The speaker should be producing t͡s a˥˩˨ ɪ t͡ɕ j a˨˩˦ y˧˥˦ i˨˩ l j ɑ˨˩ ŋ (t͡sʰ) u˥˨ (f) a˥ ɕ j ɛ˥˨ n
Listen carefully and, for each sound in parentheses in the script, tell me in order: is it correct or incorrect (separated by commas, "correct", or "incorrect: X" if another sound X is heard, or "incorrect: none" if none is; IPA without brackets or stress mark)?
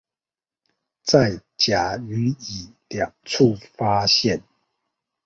correct, correct